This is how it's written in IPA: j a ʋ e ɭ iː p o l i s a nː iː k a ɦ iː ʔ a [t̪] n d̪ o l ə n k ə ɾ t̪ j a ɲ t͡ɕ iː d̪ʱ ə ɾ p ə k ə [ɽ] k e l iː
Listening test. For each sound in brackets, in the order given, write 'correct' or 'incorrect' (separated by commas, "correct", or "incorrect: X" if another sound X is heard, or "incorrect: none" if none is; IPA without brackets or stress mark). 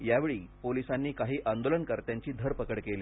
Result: incorrect: none, correct